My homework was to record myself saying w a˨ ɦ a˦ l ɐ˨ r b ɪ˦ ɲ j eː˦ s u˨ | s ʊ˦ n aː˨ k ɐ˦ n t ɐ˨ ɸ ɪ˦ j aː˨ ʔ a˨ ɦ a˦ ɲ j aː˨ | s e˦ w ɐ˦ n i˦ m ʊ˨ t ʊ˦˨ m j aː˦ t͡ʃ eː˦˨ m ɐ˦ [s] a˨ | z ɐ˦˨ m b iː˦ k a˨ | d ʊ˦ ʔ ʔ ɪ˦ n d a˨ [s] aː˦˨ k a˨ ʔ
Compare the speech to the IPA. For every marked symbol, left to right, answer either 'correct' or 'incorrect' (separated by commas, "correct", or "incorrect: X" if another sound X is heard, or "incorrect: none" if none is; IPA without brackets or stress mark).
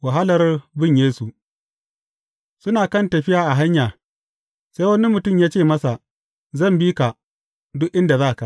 correct, incorrect: z